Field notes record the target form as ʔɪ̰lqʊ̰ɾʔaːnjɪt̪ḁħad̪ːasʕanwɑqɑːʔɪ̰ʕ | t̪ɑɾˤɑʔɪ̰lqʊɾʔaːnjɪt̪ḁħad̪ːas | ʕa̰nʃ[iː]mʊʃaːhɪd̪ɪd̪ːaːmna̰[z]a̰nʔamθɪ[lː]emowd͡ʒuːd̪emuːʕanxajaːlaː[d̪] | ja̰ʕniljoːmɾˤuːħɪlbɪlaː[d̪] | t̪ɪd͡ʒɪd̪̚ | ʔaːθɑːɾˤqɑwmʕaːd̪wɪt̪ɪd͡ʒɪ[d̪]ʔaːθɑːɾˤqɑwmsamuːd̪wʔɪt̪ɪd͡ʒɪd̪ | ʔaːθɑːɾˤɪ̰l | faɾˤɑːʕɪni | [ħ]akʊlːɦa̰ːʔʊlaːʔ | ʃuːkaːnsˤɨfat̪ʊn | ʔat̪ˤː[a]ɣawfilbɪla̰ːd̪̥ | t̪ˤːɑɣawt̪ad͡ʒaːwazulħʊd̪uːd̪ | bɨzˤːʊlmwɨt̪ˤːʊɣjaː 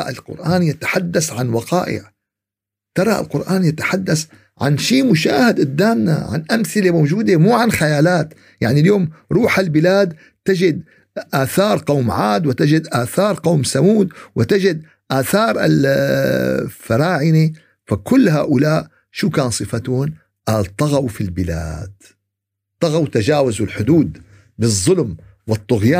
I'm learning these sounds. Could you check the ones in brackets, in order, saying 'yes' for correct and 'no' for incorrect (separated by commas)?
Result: yes, no, no, no, yes, yes, no, no